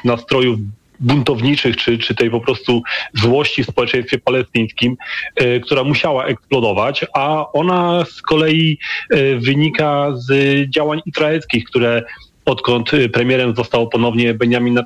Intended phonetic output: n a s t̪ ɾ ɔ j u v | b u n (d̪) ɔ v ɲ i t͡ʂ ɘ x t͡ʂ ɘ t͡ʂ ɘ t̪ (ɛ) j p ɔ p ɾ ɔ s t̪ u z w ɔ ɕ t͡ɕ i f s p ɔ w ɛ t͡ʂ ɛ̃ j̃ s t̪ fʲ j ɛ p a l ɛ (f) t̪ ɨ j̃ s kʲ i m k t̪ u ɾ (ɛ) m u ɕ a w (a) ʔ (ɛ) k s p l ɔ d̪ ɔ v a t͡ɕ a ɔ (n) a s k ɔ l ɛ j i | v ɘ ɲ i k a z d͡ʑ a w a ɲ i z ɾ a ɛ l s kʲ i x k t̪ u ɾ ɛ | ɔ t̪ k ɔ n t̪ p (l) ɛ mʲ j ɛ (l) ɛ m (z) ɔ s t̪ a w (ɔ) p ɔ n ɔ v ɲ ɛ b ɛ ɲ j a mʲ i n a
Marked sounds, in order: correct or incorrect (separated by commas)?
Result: incorrect, correct, incorrect, incorrect, correct, correct, correct, incorrect, incorrect, correct, correct